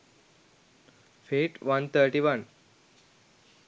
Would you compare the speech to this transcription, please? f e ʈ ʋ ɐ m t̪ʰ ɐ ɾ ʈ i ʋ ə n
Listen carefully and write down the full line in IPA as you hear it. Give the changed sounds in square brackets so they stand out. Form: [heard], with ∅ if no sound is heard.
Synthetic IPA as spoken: f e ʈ ʋ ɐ [n] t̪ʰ [ə] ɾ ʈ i ʋ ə n